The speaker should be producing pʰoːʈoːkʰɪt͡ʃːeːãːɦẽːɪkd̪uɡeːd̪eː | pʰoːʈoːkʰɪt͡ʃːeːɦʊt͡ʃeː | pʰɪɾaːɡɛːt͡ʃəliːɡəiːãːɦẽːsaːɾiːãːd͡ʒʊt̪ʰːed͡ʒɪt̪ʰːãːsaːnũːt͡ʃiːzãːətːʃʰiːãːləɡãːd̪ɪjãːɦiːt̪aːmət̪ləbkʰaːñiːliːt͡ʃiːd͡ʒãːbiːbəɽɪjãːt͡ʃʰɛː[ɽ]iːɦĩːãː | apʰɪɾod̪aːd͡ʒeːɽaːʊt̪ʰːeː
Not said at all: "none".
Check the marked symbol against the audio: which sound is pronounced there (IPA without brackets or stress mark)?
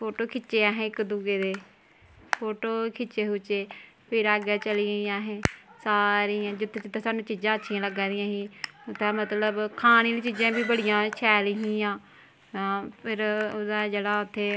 l